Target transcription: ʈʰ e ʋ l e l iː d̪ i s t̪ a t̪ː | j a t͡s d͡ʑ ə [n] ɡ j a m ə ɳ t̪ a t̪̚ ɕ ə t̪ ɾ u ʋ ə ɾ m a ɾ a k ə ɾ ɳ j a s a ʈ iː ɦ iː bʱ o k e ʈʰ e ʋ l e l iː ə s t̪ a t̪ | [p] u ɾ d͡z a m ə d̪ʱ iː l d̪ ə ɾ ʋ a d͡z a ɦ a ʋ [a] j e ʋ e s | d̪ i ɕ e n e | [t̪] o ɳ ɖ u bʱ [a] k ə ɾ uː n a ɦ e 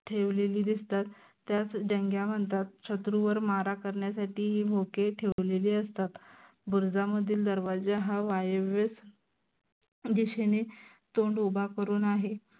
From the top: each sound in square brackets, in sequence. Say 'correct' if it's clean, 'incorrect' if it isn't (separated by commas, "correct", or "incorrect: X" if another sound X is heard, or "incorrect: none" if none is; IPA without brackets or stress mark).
incorrect: ŋ, incorrect: b, correct, correct, correct